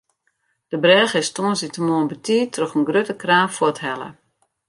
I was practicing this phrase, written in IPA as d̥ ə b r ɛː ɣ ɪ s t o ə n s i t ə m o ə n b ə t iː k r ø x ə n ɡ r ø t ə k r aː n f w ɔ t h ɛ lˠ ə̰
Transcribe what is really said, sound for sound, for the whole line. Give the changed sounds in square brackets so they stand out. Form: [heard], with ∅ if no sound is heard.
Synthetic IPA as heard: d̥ ə b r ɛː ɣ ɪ s t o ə n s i t ə m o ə n b ə t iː [t] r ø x ə n ɡ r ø t ə k r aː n f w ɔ t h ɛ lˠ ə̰

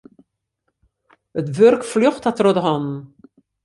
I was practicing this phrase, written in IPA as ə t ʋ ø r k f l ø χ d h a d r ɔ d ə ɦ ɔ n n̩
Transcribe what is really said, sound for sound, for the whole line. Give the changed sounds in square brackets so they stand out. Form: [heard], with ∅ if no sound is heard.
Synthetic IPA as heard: ə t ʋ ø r k f l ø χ [t] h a [t] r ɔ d ə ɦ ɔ n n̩

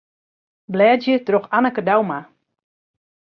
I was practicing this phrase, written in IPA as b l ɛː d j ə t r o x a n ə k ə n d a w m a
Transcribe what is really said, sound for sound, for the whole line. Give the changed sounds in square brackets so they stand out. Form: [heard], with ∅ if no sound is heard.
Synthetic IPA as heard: b l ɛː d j ə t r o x a n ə k ə [∅] d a w m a

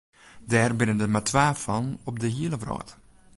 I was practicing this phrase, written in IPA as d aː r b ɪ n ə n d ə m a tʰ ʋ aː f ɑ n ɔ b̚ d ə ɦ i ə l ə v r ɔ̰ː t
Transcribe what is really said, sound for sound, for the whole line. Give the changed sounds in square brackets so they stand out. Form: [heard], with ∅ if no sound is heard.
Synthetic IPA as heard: d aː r b ɪ n ə n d ə m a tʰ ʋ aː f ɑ n ɔ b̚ d ə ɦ i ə l ə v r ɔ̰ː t

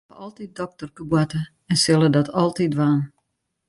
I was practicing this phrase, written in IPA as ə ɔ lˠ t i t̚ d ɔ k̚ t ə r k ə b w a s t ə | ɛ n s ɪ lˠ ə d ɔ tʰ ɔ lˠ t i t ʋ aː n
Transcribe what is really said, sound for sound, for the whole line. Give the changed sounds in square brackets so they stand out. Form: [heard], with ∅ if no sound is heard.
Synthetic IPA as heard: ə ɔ lˠ t i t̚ d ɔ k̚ t ə r k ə b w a [∅] t ə | ɛ n s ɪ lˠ ə d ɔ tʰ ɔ lˠ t i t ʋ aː n

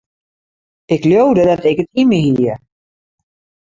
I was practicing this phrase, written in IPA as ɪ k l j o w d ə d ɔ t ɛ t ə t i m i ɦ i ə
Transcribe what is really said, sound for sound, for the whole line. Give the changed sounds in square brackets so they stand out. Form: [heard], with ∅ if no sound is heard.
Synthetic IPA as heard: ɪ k l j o w d ə d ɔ t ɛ [k] ə t i m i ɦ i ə

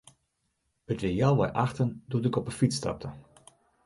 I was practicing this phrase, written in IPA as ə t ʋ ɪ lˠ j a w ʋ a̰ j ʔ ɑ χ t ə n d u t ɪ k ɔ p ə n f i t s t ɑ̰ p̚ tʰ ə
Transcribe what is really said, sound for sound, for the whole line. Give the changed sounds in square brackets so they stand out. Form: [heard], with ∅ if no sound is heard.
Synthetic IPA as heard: ə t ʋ ɪ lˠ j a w ʋ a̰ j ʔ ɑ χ t ə n d u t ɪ k ɔ p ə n f i t s t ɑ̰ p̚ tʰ ə

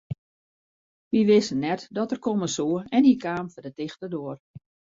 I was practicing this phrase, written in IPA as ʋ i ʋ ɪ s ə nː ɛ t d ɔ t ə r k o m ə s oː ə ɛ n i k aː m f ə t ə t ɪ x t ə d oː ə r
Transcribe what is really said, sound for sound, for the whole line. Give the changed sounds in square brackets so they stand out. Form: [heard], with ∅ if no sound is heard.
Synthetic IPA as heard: ʋ i ʋ ɪ s ə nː ɛ t d ɔ t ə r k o m ə s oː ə ɛ n i k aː m f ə [d] ə t ɪ x t ə d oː ə r

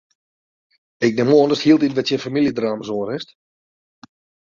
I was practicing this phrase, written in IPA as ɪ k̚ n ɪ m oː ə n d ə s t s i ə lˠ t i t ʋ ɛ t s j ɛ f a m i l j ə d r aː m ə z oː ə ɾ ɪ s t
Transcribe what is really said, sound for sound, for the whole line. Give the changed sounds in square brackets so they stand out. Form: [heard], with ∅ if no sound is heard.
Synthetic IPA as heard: ɪ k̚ n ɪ m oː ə n d ə s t [h] i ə lˠ t i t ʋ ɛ t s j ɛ f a m i l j ə d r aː m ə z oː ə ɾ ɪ s t

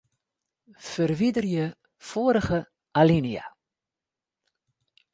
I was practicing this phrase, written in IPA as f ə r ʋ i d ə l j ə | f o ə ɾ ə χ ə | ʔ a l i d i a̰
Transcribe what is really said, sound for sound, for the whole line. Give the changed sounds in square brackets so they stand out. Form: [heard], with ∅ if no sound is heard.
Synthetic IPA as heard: f ə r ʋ i d ə [r] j ə | f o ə ɾ ə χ ə | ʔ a l i [n] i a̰

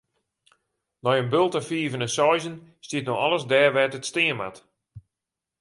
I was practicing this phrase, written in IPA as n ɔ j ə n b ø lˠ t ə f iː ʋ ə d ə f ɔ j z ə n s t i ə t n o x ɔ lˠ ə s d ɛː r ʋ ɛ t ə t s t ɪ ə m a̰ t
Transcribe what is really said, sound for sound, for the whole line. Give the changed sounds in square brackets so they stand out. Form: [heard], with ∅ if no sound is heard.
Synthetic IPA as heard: n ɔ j ə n b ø lˠ t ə f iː [v] ə [n] ə [s] ɔ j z ə n s t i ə t n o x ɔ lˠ ə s d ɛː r ʋ ɛ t ə t s t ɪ ə m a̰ t

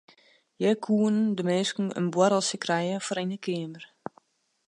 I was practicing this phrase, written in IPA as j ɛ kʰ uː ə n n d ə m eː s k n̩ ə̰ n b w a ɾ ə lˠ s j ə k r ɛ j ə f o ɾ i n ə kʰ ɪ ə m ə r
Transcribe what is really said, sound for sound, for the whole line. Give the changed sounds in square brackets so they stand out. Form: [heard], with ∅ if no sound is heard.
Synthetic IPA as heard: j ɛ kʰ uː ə n n d ə m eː s k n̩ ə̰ n b w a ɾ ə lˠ s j ə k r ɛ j ə f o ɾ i n ə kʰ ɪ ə m ə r

